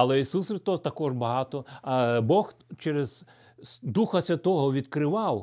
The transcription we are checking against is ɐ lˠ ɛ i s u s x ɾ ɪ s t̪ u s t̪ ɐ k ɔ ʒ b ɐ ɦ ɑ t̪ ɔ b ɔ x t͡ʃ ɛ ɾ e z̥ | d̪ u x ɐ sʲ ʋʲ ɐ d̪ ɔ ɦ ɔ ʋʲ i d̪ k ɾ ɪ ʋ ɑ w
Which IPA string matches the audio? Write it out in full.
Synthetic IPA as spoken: ɐ lˠ ɛ i s u s x ɾ ɪ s t̪ ɔ s t̪ ɐ k ɔ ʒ b ɐ ɦ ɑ t̪ ɔ b ɔ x t͡ʃ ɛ ɾ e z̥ | d̪ u x ɐ sʲ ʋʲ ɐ t̪ ɔ ɦ ɔ ʋʲ i d̪ k ɾ ɪ ʋ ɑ w